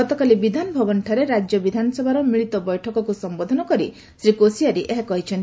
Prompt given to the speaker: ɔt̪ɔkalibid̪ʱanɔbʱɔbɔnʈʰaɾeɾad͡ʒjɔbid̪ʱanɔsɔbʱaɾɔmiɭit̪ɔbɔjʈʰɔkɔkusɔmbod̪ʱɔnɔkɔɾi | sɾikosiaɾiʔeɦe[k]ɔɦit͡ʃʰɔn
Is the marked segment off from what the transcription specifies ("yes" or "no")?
no